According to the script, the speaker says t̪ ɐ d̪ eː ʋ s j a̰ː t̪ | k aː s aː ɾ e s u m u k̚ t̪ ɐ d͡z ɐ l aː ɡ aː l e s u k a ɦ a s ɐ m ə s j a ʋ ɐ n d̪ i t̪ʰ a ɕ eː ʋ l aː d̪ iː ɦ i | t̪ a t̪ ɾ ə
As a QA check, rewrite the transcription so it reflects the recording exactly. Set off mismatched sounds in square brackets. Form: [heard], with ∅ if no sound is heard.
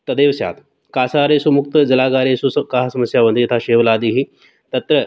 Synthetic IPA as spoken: t̪ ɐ d̪ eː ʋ s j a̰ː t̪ | k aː s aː ɾ e s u m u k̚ t̪ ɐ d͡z ɐ l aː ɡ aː [ɾ] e s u k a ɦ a s ɐ m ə s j a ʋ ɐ n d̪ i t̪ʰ a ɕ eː ʋ l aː d̪ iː ɦ i | t̪ [ɐ] t̪ ɾ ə